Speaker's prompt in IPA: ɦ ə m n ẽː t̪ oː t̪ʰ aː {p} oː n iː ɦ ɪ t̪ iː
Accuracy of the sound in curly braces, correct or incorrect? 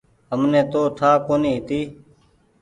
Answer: incorrect